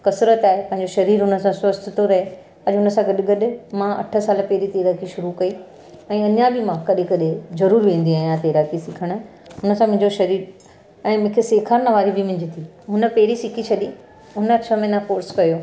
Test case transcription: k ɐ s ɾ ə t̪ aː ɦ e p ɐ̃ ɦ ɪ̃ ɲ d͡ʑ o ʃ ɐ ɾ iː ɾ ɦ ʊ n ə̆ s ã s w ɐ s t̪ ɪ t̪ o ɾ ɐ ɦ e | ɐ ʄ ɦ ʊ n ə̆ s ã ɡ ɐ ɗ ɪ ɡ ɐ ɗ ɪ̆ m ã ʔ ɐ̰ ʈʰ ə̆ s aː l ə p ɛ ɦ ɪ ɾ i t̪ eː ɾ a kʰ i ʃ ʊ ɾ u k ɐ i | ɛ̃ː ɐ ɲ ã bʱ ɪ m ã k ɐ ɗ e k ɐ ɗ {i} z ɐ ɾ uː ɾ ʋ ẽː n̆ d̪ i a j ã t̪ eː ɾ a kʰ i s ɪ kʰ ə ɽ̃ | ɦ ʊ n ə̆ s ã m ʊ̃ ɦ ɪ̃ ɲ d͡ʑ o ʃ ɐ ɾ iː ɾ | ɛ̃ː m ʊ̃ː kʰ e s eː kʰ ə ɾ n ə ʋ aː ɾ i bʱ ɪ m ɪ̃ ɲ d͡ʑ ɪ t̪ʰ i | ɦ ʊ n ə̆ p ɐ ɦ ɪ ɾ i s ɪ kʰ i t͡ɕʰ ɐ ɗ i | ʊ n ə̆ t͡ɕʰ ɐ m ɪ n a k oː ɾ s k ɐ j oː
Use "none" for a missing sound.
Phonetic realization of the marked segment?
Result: e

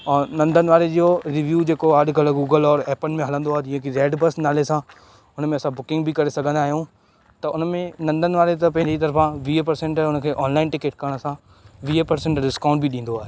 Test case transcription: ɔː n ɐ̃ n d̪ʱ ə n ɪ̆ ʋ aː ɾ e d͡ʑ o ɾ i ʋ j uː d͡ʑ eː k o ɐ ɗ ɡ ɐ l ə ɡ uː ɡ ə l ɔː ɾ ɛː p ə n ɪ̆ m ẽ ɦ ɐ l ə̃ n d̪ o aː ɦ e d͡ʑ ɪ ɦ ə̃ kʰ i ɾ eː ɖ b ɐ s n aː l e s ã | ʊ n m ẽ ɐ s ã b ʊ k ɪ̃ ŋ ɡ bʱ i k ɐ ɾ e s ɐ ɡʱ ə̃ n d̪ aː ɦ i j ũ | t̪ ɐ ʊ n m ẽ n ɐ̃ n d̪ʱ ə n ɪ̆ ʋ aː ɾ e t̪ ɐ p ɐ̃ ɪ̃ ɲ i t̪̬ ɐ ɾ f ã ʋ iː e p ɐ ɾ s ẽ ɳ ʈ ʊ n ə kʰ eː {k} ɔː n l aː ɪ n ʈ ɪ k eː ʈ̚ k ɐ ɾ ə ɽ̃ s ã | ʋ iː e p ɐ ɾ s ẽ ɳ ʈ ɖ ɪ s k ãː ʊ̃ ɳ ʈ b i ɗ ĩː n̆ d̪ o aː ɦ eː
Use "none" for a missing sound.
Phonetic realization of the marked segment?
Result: ʔ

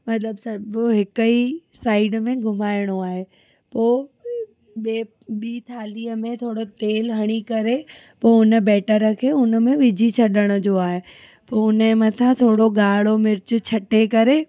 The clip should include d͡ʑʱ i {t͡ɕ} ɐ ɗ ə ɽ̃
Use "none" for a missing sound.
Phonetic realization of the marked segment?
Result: t͡ɕʰ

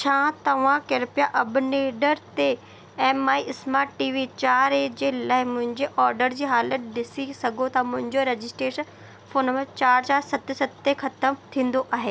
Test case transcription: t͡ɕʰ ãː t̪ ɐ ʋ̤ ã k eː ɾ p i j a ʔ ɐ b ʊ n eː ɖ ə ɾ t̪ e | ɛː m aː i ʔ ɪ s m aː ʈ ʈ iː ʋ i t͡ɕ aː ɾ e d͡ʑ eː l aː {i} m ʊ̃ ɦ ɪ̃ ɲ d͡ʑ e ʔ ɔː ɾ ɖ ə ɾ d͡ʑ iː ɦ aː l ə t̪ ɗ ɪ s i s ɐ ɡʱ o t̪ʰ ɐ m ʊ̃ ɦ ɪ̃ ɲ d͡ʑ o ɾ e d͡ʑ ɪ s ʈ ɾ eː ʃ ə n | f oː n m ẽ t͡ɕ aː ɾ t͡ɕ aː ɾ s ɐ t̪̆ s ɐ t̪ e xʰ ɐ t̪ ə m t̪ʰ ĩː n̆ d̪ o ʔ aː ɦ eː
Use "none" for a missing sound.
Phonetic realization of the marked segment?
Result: ɪ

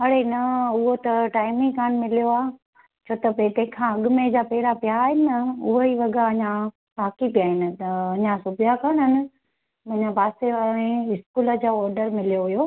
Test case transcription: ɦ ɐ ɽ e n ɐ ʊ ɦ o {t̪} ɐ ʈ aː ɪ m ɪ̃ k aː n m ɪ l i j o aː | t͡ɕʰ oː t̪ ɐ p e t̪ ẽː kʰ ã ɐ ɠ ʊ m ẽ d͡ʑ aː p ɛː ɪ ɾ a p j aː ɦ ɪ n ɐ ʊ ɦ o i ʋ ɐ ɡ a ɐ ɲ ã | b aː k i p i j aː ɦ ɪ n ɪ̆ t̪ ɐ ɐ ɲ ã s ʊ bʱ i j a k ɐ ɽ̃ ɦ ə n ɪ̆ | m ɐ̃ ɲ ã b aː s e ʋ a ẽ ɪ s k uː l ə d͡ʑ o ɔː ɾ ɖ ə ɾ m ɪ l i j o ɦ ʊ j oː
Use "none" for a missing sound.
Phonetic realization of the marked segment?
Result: t̪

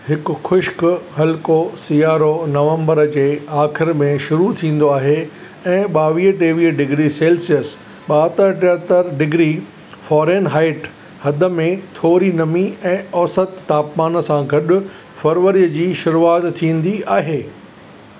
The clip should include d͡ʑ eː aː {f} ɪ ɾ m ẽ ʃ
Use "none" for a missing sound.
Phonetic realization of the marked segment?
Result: x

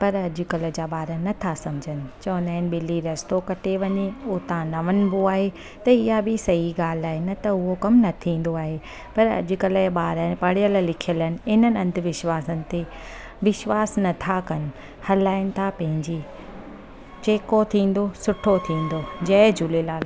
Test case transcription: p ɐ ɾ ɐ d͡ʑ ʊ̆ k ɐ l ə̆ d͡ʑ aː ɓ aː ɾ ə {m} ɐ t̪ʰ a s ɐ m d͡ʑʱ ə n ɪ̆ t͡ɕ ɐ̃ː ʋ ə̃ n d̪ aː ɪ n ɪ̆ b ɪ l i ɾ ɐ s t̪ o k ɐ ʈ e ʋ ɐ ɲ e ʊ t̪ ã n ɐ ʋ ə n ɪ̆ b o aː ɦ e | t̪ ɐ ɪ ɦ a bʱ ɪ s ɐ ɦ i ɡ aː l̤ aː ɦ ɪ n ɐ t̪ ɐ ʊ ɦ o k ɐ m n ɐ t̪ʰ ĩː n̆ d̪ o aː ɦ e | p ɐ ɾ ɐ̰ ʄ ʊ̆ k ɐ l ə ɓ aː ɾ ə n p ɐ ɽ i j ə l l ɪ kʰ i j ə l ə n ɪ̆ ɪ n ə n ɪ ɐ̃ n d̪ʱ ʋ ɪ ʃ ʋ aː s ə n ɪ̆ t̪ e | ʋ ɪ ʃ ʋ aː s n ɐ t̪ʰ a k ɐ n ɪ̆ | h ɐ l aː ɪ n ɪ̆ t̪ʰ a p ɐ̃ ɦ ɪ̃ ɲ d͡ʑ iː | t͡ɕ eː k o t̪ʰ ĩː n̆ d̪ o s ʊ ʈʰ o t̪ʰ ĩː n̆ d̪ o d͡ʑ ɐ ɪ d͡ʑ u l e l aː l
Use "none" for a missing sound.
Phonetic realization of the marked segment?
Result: n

